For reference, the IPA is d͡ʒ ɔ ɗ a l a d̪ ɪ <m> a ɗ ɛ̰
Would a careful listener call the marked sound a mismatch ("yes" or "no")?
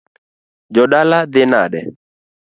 yes